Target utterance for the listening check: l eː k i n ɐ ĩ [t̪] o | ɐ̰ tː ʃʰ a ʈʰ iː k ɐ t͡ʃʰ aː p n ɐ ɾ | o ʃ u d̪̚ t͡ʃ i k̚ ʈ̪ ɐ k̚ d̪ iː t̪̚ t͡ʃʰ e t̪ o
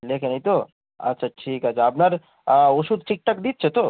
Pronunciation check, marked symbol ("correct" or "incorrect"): correct